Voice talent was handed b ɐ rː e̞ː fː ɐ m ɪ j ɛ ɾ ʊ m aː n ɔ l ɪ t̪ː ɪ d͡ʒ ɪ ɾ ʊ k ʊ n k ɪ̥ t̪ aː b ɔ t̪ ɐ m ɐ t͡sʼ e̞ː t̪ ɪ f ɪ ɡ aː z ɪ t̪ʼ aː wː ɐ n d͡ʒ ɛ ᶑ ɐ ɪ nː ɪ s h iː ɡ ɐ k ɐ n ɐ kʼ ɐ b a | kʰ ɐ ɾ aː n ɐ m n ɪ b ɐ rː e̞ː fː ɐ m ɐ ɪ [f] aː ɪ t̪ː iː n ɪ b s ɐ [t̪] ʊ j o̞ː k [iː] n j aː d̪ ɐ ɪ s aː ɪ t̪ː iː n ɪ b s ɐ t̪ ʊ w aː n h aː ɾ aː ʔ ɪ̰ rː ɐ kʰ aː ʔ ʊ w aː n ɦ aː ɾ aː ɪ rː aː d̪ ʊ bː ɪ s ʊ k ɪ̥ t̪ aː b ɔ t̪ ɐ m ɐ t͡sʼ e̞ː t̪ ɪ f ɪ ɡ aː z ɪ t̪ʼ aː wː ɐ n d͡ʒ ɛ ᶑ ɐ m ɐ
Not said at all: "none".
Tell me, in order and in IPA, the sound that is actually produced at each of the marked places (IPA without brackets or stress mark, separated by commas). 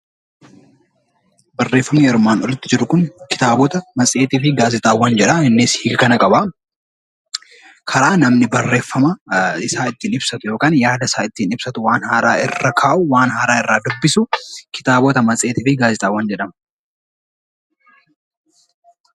s, t̪, aː